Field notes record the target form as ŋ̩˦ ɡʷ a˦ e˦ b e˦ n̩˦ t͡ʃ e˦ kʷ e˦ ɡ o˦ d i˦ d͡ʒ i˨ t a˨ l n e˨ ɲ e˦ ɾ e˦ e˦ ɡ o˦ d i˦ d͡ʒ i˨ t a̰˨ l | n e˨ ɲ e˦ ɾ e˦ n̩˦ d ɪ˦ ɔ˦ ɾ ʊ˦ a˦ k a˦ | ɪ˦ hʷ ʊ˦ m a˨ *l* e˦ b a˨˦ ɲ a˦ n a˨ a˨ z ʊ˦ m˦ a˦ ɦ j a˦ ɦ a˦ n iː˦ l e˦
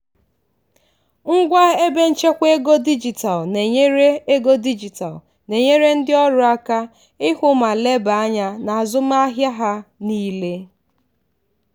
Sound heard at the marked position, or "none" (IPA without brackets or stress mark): l